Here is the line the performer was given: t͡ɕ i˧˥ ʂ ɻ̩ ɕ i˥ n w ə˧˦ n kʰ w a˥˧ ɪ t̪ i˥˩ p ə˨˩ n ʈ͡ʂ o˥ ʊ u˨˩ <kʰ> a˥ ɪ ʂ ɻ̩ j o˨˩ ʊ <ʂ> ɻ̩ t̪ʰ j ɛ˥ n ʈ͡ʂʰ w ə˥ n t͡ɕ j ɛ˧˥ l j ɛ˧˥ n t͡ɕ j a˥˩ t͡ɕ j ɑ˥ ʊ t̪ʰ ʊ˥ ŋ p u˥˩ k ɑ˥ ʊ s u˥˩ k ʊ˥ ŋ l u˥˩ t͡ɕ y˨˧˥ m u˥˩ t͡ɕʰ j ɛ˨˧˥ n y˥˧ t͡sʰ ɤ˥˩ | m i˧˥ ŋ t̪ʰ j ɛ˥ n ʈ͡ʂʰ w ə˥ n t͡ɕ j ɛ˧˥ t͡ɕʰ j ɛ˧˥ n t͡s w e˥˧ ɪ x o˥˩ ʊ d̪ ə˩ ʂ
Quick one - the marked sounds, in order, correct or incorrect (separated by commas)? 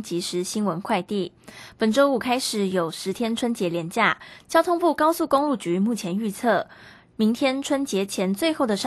correct, correct